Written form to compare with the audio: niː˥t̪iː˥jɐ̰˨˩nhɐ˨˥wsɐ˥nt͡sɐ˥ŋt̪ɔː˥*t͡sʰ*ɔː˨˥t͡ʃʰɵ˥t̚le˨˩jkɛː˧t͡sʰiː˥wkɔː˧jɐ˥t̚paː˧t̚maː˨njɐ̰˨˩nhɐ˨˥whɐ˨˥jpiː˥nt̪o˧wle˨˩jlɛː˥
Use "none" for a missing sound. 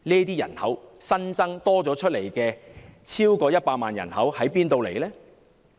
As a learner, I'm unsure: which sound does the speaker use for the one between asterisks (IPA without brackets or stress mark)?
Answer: t͡s